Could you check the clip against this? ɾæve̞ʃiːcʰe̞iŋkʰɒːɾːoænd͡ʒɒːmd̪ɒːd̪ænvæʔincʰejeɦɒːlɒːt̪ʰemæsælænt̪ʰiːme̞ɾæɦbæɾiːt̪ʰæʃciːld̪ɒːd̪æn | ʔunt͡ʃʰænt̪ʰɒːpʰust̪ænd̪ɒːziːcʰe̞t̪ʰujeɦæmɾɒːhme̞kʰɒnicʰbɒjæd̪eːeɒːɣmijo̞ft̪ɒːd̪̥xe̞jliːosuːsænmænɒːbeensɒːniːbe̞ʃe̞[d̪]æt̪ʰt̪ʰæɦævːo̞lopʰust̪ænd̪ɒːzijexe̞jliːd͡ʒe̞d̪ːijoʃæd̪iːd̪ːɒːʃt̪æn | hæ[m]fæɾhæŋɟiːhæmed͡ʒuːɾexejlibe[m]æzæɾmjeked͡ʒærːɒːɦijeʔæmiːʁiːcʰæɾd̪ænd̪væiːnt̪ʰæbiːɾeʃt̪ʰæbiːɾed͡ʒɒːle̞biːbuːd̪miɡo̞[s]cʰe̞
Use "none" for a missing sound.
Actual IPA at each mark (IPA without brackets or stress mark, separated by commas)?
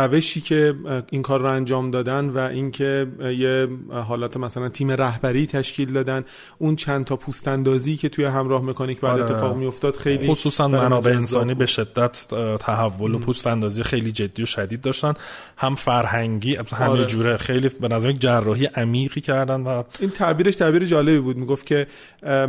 d̪ː, m, n, f